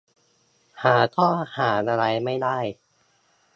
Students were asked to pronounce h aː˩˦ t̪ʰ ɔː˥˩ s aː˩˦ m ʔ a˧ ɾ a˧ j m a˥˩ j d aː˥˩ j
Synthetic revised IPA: h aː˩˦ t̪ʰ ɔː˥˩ h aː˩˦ n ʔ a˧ ɾ a˧ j m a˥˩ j d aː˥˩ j